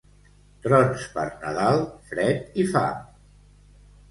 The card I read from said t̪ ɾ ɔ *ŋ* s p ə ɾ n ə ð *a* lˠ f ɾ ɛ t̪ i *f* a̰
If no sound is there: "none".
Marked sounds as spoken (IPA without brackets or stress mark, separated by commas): n, a, f